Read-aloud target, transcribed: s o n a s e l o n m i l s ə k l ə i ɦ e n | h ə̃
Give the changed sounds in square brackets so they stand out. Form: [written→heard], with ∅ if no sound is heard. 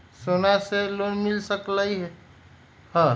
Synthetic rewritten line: s o n a s e l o n m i l s ə k l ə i ɦ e [n→∅] | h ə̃

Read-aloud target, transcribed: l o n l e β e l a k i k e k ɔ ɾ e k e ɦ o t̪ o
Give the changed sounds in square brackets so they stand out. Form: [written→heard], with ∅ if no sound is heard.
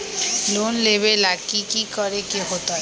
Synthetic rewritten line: l o n l e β e l a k i k [e→i] k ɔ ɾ e k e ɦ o t̪ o

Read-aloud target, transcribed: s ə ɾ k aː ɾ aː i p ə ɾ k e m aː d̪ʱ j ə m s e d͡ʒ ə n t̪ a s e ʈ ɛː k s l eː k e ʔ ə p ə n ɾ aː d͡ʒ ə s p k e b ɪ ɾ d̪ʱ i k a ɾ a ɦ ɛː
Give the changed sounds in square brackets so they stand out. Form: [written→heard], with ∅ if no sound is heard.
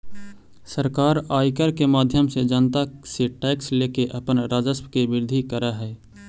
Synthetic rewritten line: s ə ɾ k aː ɾ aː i [p→k] ə ɾ k e m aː d̪ʱ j ə m s e d͡ʒ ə n t̪ a s e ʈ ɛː k s l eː k e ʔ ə p ə n ɾ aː d͡ʒ ə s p k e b ɪ ɾ d̪ʱ i k [a→ə] ɾ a ɦ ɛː

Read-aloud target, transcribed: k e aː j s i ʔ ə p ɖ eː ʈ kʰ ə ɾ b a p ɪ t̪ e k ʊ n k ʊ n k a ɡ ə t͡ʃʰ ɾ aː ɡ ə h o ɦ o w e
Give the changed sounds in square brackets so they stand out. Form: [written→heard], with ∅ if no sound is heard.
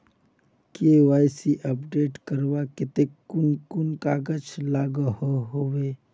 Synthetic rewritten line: k e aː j s i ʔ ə p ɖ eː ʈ [kʰ→k] ə ɾ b a [p→k] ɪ t̪ e k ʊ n k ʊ n k a ɡ ə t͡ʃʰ [ɾ→l] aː ɡ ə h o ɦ o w e

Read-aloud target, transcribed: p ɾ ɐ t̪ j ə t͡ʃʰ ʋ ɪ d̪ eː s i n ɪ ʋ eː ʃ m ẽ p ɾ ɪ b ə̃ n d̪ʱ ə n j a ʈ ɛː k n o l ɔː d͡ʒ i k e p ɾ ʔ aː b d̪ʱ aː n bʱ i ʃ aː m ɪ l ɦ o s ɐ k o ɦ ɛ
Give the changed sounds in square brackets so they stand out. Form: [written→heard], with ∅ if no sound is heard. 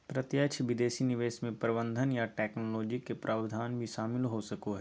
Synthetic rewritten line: p ɾ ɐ t̪ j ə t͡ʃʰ ʋ ɪ d̪ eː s i n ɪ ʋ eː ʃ m ẽ p ɾ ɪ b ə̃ n d̪ʱ ə n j a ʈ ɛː k n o l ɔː d͡ʒ i k e p ɾ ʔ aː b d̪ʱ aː n bʱ i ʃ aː m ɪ l ɦ o s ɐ k o ɦ ɛ

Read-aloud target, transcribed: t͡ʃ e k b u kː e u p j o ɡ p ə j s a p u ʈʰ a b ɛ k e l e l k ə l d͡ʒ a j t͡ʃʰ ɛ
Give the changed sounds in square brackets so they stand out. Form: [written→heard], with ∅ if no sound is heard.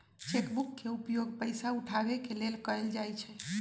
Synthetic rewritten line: t͡ʃ e k b u kː e u p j o ɡ p ə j s a [p→∅] u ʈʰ a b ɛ k e l e l k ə l d͡ʒ a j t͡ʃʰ ɛ

